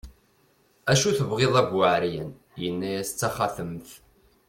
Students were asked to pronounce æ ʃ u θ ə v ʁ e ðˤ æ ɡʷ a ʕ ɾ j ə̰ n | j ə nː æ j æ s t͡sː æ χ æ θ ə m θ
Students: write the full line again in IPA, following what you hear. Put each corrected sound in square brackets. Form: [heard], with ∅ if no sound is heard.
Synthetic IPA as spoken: æ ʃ u θ ə v ʁ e ðˤ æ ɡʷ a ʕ ɾ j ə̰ n | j ə nː æ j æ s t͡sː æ χ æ θ ə m θ